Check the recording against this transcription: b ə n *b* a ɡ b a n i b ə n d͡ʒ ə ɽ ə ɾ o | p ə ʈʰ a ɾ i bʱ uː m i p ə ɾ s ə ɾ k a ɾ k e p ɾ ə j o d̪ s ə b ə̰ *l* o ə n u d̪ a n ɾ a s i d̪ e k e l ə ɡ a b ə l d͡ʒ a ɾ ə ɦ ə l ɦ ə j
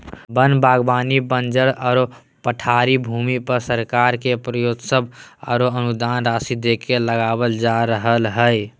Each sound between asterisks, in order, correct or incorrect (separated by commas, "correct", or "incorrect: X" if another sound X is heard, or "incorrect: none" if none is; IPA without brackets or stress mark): correct, incorrect: ɾ